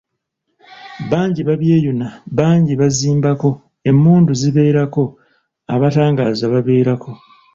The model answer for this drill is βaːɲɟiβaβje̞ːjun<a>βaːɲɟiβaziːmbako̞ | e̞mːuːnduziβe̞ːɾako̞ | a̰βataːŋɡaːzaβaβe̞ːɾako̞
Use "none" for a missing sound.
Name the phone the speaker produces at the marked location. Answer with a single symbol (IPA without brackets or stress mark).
a